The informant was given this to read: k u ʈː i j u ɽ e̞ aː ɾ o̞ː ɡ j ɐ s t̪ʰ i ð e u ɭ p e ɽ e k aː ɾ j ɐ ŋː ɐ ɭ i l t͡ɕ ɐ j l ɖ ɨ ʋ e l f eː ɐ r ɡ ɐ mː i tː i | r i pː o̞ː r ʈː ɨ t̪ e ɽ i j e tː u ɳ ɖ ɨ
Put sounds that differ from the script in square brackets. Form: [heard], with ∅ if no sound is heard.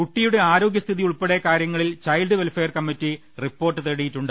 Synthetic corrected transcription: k u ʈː i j u ɽ e̞ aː ɾ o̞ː ɡ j ɐ s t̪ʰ i ð [i] u ɭ p e ɽ e k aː ɾ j ɐ ŋː ɐ ɭ i l t͡ɕ ɐ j l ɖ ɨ ʋ e l f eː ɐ r [k] ɐ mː i tː i | r i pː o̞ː r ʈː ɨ t̪ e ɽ i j [i] tː u ɳ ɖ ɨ